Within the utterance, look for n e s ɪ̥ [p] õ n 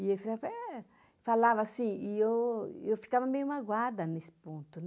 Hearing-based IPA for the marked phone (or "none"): p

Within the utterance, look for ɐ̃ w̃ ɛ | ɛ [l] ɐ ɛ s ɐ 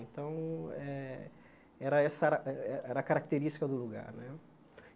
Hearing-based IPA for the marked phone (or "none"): ɾ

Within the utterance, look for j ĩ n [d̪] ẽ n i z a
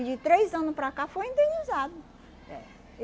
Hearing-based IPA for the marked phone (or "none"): d̪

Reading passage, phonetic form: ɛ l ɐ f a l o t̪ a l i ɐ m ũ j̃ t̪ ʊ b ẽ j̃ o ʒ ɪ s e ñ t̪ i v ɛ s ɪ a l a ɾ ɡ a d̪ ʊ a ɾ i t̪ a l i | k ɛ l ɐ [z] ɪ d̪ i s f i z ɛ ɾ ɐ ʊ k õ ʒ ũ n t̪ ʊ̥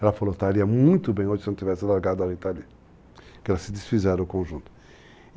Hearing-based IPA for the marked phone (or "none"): s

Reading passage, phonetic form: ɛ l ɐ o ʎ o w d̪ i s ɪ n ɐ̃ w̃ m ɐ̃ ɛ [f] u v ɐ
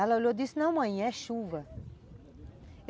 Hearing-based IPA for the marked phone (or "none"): ʃ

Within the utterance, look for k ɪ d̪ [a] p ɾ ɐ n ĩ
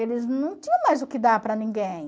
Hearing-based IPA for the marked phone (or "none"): a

